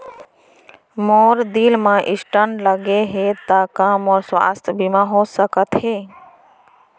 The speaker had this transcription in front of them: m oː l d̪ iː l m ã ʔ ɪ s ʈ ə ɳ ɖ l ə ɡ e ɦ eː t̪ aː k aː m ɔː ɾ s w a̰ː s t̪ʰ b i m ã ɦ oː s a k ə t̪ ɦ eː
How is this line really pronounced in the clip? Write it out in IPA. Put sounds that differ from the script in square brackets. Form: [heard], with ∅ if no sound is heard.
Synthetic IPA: m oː [ɾ] d̪ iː l m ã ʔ ɪ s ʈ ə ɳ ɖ l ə ɡ e ɦ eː t̪ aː k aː m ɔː ɾ s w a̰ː s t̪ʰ b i m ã ɦ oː s [ə] k ə t̪ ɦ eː